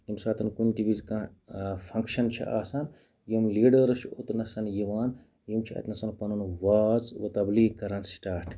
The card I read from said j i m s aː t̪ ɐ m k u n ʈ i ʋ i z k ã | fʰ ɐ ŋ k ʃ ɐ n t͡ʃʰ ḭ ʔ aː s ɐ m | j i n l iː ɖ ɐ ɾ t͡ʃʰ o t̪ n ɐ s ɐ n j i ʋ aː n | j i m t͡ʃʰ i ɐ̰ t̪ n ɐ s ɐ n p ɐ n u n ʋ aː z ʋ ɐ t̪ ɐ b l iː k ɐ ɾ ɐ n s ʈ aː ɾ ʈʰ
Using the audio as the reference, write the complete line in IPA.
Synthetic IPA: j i m s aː t̪ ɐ n k u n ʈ i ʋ i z k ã | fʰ ɐ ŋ k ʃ ɐ n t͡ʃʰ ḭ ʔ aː s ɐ n | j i m l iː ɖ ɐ ɾ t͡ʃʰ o t̪ n ɐ s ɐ n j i ʋ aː n | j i m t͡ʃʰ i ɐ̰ t̪ n ɐ s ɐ n p ɐ n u n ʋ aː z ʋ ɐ t̪ ɐ b l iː k ɐ ɾ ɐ n s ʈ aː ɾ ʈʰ